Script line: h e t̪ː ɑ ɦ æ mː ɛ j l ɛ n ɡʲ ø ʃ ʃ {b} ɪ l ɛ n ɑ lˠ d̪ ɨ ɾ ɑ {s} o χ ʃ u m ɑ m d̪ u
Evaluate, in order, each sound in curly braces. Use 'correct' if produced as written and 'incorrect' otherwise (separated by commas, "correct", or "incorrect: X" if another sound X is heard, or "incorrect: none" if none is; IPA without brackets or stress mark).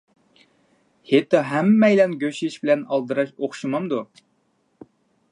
correct, incorrect: ʃ